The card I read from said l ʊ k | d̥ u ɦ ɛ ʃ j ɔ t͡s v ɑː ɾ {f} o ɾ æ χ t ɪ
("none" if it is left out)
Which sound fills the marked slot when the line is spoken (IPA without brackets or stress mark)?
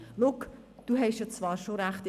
ʃ